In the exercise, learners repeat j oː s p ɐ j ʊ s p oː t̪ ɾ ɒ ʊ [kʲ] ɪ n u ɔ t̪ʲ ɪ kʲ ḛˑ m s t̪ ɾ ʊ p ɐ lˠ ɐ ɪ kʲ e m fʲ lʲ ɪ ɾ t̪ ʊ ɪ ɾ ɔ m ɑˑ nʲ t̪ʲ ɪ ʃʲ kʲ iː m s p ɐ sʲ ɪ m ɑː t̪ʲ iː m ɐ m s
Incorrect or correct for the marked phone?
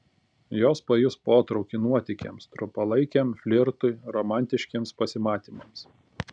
correct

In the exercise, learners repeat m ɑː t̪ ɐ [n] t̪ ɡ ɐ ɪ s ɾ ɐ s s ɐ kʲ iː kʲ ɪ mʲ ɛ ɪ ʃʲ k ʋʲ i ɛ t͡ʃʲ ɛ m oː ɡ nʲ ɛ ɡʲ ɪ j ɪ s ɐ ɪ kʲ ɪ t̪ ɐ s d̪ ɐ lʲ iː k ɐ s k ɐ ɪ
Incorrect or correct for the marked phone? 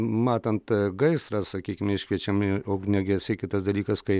correct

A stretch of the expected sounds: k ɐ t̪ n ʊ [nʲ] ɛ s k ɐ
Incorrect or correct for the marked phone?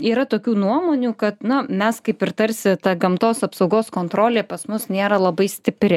incorrect: mʲ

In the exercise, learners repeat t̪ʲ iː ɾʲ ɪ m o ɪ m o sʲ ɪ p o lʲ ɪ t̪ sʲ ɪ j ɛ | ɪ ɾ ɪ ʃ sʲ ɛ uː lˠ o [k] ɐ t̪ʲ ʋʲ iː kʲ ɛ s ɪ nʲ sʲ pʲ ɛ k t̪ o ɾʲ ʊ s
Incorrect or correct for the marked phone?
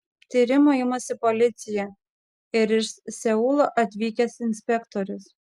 incorrect: ʔ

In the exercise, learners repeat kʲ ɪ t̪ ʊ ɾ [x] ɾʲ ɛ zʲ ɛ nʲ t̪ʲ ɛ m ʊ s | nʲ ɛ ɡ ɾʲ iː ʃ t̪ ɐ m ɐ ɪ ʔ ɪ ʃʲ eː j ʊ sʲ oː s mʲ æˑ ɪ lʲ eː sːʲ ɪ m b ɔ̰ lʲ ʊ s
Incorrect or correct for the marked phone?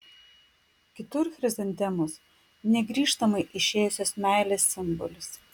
correct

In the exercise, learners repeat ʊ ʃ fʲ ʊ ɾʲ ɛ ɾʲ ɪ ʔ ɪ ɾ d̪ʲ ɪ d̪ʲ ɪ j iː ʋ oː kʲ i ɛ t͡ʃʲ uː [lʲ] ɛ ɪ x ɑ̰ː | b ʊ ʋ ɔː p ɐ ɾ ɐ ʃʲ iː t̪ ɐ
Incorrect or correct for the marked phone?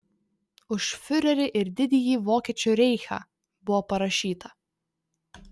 incorrect: ɾʲ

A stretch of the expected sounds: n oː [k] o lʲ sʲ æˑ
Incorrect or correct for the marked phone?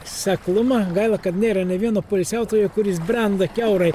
incorrect: p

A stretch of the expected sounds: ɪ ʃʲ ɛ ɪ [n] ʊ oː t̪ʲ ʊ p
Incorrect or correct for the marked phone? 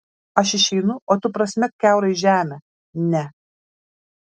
correct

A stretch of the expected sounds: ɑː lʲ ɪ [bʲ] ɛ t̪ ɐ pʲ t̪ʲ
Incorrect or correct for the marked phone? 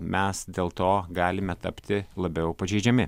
incorrect: mʲ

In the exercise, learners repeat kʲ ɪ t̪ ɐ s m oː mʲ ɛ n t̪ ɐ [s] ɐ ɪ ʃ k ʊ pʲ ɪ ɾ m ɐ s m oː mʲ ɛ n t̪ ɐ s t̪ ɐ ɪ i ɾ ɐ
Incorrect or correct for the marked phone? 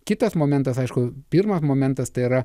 correct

